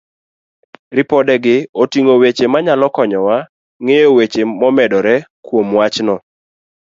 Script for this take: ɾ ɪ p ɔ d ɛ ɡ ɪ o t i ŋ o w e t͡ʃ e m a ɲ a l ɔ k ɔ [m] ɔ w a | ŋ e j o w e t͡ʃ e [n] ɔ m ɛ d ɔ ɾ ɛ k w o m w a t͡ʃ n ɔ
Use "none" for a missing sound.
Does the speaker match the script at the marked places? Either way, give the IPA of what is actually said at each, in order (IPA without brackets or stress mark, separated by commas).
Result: ɲ, m